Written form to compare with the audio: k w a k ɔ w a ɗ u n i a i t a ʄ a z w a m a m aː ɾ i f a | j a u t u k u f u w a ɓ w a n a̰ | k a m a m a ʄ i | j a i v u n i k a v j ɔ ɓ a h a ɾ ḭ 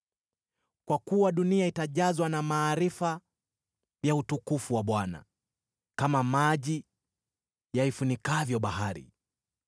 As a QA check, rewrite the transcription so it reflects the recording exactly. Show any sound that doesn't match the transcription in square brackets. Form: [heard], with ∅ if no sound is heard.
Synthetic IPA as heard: k w a k [u] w a ɗ u n i a i t a ʄ a z w a [n] a m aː ɾ i f a | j a u t u k u f u w a ɓ w a n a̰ | k a m a m a ʄ i | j a i [f] u n i k a v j ɔ ɓ a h a ɾ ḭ